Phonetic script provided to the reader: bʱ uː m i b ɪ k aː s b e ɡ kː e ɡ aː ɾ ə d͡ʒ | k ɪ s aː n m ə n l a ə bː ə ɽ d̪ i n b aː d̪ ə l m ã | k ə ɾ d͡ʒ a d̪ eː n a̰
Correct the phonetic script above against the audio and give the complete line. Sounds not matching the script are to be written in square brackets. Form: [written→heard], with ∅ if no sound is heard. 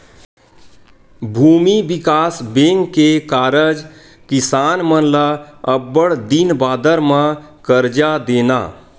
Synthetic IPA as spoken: bʱ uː m i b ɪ k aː s b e [ɡ→ŋ] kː e [ɡ→k] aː ɾ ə d͡ʒ | k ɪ s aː n m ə n l a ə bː ə ɽ d̪ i n b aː d̪ ə [l→ɾ] m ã | k ə ɾ d͡ʒ a d̪ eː n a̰